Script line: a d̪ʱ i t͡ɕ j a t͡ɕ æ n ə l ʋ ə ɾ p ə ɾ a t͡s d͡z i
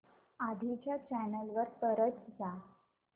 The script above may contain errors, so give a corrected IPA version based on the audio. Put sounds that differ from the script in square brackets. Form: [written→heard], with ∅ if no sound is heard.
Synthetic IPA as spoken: a d̪ʱ i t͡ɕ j a t͡ɕ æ n ə l ʋ ə ɾ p ə ɾ [a→ə] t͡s d͡z [i→a]